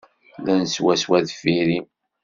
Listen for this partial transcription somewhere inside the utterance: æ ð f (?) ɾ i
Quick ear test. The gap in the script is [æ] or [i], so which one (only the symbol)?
i